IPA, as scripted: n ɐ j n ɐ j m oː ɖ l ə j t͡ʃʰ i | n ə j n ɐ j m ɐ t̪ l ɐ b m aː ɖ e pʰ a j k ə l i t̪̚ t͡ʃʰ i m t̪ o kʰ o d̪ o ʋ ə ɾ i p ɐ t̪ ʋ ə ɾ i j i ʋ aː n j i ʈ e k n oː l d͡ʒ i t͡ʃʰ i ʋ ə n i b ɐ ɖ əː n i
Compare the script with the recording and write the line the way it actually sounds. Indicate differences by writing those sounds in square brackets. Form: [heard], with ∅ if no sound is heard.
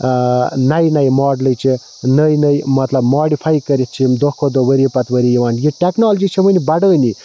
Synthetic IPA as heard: n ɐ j n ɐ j m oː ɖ l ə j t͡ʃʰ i | n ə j n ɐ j m ɐ t̪ l ɐ b m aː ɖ [i] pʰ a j k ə [ɾ] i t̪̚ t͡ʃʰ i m [d̪] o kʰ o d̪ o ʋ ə ɾ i p ɐ t̪ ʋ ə ɾ i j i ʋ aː n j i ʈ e k n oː l d͡ʒ i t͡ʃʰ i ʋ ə n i b ɐ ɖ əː n i